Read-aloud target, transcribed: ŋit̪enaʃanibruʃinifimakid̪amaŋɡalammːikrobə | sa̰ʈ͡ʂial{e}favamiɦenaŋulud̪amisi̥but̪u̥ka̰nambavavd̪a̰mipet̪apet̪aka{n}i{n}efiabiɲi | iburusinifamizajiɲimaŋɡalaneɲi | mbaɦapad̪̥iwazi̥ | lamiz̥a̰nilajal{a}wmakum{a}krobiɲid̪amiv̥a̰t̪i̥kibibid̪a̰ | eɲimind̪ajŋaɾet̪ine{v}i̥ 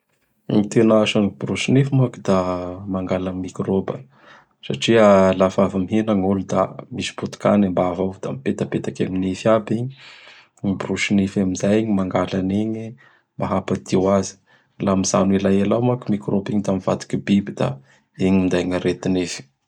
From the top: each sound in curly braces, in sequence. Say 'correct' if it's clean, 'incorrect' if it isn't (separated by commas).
incorrect, incorrect, correct, correct, incorrect, incorrect